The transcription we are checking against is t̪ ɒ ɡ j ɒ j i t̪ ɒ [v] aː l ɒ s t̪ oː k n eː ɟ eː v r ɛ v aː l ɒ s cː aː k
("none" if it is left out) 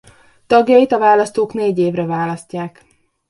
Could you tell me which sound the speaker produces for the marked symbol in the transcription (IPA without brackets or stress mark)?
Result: v